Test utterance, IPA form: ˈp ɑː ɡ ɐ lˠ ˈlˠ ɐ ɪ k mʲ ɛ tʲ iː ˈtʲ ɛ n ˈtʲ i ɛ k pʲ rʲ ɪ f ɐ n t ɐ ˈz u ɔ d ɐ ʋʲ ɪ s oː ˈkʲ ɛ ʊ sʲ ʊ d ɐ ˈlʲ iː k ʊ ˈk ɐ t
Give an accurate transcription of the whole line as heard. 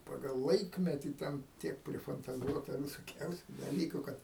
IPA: ˈp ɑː ɡ ɐ lˠ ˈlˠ ɐ ɪ k mʲ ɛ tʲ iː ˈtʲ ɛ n ˈtʲ i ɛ k pʲ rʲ ɪ f ɐ n t ɐ ˈz u ɔ t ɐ ʋʲ ɪ s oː ˈkʲ ɛ ʊ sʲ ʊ d ɐ ˈlʲ iː k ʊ ˈk ɐ t